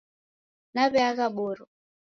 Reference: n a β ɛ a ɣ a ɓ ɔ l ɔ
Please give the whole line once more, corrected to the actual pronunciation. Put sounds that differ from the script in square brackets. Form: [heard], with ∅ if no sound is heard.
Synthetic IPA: n a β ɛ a ɣ a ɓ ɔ [ɾ] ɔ